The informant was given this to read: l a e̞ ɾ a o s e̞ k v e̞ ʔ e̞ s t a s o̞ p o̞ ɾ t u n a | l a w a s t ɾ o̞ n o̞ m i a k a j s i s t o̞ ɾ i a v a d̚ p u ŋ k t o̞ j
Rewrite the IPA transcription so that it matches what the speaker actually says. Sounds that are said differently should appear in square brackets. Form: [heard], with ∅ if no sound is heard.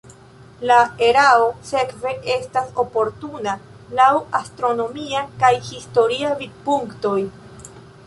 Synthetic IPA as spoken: l a e̞ ɾ a o s e̞ k v e̞ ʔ e̞ s t a s o̞ p o̞ ɾ t u n a | l a w a s t ɾ o̞ n o̞ m i a k a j [h] i s t o̞ ɾ i a v [i] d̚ p u ŋ k t o̞ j